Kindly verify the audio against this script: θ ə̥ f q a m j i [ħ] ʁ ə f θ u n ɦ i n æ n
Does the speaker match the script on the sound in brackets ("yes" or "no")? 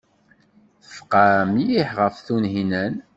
yes